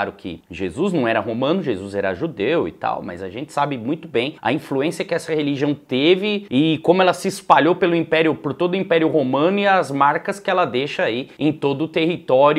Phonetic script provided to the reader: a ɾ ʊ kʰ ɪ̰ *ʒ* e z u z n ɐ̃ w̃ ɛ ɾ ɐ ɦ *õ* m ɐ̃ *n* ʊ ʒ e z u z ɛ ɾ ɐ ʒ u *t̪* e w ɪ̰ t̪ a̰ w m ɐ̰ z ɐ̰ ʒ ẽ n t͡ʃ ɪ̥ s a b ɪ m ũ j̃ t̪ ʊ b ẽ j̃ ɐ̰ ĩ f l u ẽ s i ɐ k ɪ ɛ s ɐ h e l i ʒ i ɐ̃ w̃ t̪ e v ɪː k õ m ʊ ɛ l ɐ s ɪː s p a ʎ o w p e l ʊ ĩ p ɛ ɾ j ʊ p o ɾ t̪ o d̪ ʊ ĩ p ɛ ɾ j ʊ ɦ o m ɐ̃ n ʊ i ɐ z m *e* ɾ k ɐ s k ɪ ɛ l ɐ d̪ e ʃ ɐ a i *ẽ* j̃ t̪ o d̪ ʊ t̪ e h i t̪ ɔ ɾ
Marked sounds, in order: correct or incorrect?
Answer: correct, incorrect, correct, incorrect, incorrect, correct

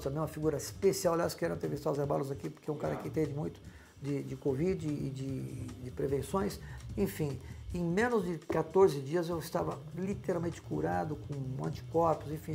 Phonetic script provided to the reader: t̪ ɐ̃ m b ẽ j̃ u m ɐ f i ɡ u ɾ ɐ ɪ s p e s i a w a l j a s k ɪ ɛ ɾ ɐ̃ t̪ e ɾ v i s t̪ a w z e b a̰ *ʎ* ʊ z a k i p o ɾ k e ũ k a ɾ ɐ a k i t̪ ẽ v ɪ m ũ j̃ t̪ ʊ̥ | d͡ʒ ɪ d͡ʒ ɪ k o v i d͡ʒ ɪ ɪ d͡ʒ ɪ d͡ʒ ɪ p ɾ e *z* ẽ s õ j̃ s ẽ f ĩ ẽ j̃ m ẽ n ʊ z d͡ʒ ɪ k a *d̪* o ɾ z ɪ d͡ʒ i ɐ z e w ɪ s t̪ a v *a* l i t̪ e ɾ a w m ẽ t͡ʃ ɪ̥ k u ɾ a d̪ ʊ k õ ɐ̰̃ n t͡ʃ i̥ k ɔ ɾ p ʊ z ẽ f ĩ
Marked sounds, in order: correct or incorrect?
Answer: incorrect, incorrect, incorrect, incorrect

